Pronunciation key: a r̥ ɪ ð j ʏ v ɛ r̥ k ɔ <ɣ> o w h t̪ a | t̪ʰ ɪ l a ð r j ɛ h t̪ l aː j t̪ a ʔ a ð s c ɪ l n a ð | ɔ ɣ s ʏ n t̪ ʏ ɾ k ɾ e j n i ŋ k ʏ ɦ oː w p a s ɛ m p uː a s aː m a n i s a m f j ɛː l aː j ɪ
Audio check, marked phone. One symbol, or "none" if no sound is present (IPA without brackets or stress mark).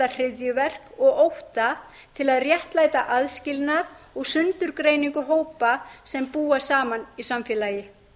ɣ